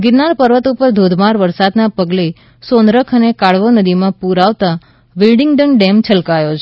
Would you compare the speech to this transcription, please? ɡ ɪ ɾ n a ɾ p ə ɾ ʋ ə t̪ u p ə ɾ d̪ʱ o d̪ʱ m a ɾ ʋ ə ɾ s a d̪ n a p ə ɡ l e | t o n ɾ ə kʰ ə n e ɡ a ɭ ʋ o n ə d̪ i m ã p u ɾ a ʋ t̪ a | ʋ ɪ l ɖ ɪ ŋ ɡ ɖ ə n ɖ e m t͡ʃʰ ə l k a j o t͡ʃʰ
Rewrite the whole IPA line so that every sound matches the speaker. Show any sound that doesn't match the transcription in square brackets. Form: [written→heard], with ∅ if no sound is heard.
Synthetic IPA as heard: ɡ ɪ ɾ n a ɾ p ə ɾ ʋ ə t̪ u p ə ɾ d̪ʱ o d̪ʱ m a ɾ ʋ ə ɾ s a d̪ n a p ə ɡ l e | [t→s] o n ɾ ə kʰ ə n e [ɡ→k] a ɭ ʋ o n ə d̪ i m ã p u ɾ a ʋ t̪ a | ʋ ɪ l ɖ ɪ ŋ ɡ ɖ ə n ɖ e m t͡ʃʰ ə l k a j o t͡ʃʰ